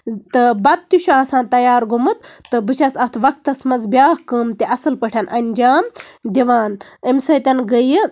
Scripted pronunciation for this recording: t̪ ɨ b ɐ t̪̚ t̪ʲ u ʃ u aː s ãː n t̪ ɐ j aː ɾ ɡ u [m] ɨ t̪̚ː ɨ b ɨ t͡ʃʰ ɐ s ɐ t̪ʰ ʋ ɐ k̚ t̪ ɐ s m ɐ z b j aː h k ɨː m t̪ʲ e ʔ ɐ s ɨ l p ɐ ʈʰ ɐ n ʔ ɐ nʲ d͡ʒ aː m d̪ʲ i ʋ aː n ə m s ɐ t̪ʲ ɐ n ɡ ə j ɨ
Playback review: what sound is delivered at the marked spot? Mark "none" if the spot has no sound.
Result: m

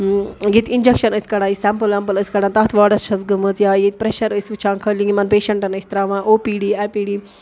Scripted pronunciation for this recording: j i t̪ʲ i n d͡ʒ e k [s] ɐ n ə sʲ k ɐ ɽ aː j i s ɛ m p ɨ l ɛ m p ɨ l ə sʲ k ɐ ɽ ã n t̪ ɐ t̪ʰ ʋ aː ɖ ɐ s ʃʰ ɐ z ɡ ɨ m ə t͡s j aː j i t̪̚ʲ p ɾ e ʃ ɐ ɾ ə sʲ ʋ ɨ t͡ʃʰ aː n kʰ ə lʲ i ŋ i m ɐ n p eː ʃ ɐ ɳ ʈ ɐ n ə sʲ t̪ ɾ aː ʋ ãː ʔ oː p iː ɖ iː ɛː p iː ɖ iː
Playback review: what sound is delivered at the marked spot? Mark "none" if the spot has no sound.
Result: ʃ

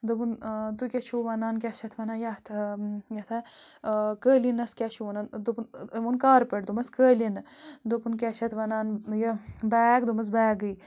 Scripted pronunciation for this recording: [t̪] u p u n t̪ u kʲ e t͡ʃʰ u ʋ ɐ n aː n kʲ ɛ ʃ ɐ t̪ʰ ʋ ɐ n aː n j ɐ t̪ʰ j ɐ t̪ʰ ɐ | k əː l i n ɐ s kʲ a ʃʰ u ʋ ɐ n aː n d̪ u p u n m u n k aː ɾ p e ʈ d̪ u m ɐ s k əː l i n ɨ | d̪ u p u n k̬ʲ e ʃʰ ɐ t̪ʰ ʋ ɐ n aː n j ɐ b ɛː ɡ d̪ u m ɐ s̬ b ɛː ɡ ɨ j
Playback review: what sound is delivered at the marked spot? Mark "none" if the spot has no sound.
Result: d̪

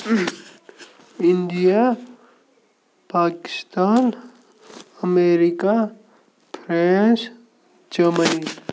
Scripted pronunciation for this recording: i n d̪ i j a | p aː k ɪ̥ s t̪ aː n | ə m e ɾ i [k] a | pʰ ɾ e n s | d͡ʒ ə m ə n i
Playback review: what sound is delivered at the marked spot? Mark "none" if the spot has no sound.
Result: k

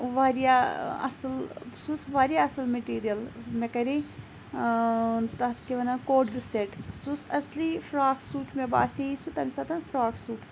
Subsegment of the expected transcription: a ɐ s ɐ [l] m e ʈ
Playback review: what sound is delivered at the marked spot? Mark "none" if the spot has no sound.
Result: l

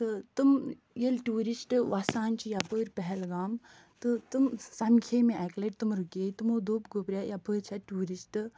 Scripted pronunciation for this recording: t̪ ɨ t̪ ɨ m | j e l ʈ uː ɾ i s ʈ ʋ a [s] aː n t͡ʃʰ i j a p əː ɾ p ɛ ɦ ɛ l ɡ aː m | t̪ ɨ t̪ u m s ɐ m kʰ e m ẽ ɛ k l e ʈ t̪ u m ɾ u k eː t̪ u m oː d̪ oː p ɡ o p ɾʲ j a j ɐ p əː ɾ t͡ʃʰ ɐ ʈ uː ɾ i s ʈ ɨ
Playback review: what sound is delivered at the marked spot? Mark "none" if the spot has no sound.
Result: s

